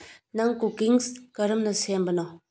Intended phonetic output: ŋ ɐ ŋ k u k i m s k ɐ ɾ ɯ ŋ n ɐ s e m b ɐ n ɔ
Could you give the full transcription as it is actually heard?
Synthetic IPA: n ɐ ŋ k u k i ŋ s k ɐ ɾ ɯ m n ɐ s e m b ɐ n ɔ